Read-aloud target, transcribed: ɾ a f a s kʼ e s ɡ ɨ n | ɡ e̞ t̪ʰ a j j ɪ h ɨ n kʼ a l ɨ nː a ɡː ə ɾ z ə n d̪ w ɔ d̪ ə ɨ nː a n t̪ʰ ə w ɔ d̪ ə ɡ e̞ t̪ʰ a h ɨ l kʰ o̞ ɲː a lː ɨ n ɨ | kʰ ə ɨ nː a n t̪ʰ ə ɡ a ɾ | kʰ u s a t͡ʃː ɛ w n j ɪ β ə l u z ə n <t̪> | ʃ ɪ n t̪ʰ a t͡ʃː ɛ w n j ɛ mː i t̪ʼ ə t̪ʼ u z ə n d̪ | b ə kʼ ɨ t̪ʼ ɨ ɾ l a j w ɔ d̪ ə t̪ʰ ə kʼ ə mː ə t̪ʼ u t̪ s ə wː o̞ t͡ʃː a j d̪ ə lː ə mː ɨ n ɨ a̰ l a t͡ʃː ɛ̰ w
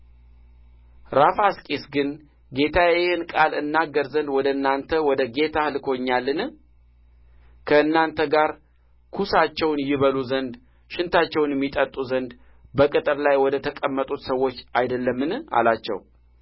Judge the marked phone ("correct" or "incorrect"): incorrect